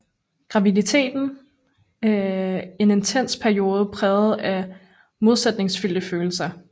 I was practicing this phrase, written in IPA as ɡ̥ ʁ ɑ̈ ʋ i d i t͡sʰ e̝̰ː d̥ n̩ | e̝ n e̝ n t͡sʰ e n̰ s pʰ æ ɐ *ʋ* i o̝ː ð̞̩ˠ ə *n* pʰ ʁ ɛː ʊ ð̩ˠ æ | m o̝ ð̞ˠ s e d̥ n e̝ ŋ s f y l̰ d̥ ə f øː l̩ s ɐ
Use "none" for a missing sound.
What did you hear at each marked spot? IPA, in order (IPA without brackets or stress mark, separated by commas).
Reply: none, none